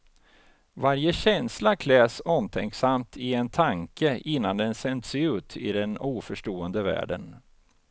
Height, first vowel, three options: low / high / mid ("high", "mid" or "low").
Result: low